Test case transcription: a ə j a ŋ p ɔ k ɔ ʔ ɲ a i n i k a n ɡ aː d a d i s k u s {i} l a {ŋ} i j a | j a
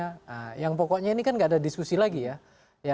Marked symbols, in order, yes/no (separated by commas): yes, no